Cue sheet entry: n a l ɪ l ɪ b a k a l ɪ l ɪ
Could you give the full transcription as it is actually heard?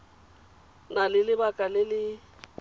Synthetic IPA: n a l ɪ l ɪ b a kʼ a l ɪ l ɪ